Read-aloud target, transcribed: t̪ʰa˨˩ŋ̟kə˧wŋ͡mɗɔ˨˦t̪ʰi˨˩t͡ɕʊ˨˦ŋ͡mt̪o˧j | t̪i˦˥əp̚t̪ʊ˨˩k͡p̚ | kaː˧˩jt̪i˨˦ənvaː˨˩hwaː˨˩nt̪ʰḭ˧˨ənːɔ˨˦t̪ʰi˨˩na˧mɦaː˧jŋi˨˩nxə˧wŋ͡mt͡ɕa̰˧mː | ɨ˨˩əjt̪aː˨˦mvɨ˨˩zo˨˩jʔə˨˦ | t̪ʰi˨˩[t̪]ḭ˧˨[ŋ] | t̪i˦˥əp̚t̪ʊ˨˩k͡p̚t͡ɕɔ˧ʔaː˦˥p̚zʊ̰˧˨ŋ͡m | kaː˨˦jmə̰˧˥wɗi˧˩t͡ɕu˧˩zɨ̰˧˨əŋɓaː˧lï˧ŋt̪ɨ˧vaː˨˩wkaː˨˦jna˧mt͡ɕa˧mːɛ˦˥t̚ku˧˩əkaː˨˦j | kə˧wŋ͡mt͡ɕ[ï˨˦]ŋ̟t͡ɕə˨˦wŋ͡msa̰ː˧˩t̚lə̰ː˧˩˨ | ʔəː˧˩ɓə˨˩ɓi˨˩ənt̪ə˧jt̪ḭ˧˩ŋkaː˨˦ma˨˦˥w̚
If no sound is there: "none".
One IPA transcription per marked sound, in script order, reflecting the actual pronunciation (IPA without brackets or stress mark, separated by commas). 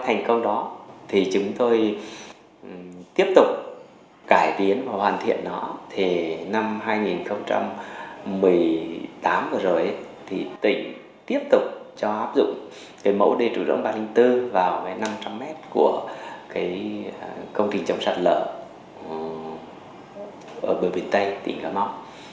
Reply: t̪, ŋ, ï˨˩